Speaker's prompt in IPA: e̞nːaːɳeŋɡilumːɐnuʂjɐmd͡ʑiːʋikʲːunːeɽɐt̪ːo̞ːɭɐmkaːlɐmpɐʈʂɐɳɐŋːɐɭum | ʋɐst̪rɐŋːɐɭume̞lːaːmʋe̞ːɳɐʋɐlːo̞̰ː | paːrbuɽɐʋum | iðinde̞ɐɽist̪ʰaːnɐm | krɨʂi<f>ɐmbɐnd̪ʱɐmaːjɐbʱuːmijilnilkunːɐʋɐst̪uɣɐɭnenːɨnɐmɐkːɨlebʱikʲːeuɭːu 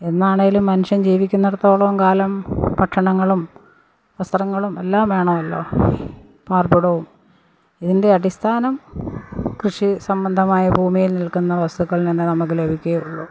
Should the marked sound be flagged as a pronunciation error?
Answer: yes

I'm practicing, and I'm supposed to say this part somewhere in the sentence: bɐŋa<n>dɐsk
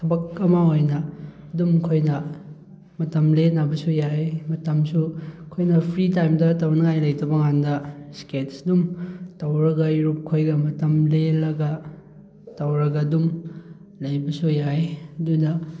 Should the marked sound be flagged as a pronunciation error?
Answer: no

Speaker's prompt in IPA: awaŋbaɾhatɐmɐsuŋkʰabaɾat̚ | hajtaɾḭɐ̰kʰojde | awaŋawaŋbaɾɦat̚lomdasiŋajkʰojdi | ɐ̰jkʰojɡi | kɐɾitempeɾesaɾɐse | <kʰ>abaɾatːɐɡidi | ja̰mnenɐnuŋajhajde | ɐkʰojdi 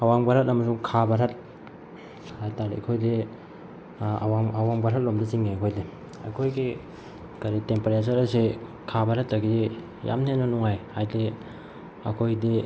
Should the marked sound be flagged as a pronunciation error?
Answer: no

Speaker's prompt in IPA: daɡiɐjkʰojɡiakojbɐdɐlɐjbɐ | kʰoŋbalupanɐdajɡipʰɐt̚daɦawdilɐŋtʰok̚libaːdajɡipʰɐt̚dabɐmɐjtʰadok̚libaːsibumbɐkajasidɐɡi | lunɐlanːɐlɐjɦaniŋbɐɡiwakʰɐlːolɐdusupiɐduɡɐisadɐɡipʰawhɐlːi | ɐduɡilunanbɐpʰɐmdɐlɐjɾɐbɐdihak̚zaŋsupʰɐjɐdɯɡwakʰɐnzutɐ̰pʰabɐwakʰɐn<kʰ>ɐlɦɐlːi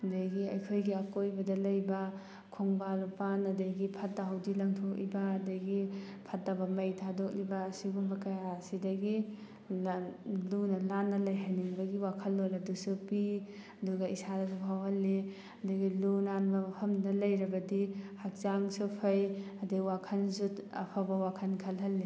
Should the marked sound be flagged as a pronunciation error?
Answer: no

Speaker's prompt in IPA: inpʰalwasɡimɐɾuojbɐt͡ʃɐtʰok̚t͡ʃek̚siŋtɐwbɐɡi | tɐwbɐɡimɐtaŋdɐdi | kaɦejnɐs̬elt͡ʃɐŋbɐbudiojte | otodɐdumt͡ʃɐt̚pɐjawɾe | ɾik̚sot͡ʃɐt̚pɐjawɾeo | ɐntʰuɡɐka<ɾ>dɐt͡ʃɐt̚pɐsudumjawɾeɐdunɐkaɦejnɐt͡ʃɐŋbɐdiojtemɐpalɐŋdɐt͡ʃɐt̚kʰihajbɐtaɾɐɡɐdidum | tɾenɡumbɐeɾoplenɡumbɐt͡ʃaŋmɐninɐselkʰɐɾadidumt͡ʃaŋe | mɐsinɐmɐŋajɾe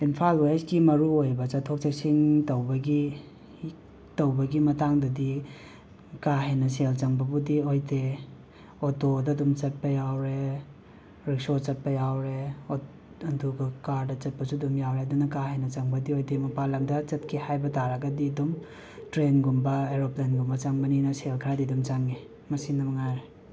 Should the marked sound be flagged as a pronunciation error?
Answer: no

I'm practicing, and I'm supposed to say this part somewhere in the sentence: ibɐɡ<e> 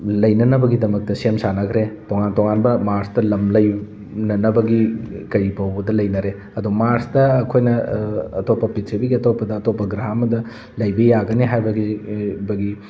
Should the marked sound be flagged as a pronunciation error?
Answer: yes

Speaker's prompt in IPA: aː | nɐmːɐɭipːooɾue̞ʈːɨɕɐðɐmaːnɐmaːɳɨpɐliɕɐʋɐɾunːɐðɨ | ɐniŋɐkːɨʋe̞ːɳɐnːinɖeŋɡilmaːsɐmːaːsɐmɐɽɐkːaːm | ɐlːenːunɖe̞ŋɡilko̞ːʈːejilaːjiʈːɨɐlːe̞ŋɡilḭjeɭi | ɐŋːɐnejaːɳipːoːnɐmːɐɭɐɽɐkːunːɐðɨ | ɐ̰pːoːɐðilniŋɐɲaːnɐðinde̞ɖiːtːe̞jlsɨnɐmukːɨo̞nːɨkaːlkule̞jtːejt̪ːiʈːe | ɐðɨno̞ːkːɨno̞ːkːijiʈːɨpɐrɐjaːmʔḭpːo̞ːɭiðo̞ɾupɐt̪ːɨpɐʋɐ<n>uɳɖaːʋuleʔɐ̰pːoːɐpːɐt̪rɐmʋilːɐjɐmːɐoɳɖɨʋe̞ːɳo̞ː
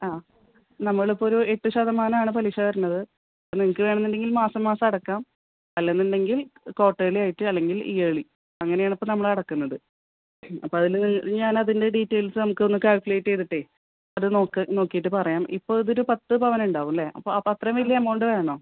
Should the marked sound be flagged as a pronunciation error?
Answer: no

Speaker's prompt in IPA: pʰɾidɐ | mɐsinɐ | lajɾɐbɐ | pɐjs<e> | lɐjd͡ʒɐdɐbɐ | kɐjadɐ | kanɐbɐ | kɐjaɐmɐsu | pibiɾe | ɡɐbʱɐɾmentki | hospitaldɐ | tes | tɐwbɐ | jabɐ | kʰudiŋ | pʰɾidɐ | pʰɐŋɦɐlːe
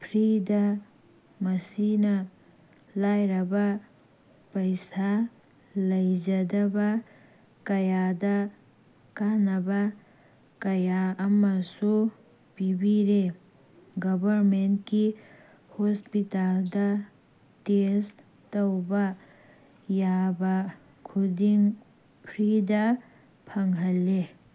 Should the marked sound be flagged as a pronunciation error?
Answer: yes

